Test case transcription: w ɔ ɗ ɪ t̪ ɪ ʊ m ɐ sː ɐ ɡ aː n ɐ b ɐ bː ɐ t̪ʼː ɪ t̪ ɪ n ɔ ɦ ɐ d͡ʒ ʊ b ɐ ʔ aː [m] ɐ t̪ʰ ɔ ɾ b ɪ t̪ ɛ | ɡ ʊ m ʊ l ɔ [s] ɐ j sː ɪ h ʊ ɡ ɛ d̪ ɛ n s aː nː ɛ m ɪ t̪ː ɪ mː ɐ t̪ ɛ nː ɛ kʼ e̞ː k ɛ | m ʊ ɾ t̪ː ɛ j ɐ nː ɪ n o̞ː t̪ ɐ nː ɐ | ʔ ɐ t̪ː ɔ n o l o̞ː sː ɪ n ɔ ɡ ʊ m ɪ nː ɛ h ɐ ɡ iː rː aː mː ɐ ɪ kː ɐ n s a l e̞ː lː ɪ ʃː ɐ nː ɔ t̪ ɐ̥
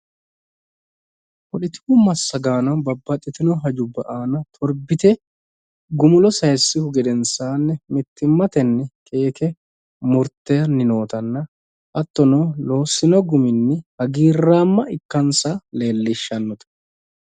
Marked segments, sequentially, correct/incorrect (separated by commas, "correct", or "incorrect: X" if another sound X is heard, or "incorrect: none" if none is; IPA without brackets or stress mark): incorrect: n, correct